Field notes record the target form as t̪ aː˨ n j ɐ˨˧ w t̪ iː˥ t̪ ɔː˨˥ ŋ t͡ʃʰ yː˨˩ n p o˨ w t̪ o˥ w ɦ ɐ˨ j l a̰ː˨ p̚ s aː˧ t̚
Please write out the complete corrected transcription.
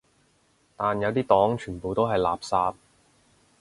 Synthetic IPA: t̪ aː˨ n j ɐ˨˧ w t̪ iː˥ t̪ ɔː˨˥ ŋ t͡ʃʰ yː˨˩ n p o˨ w t̪ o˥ w ɦ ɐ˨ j l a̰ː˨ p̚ s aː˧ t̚